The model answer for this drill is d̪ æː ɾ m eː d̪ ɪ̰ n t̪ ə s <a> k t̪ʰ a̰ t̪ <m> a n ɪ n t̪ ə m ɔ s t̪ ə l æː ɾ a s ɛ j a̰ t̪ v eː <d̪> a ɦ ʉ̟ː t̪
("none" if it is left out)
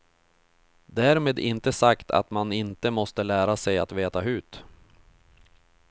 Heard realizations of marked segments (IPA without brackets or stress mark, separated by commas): a, m, t̪